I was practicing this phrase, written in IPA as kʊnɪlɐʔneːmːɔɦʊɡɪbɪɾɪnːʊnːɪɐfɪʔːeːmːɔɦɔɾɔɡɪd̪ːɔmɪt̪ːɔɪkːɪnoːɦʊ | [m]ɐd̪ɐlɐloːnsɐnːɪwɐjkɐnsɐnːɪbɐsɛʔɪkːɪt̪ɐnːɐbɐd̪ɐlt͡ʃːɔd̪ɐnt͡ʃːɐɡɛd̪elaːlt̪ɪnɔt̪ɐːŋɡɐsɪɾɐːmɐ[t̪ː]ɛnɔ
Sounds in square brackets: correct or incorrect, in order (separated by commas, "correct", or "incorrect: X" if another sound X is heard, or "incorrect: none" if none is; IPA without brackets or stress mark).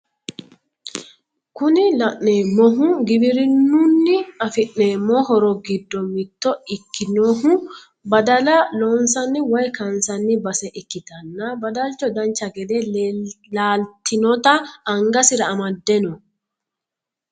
incorrect: b, incorrect: d̪ː